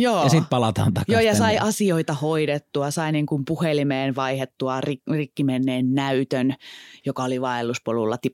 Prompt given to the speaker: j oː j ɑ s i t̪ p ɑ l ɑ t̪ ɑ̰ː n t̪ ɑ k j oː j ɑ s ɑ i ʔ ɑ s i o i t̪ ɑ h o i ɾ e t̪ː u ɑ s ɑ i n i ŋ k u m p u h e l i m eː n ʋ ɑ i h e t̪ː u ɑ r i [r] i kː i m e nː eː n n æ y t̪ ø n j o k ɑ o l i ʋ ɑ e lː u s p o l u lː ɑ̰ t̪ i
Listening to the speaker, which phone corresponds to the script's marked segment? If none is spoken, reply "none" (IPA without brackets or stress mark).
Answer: r